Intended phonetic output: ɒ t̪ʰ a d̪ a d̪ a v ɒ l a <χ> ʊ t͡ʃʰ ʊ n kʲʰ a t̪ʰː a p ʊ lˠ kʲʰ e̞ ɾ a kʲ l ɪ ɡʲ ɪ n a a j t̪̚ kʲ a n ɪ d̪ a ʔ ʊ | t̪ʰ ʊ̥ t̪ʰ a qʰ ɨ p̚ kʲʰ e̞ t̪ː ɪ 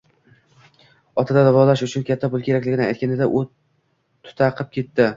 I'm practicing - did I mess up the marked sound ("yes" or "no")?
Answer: yes